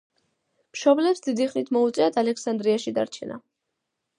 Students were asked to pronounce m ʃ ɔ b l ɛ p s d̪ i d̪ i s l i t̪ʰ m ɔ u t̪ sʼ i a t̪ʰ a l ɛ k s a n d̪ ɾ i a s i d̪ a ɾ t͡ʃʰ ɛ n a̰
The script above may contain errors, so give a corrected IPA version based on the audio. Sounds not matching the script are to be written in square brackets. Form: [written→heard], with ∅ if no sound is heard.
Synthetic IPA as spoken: m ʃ ɔ b l ɛ p s d̪ i d̪ i [s→χ] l i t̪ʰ m ɔ u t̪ sʼ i a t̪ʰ a l ɛ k s a n d̪ ɾ i a [s→ʃ] i d̪ a ɾ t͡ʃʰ ɛ n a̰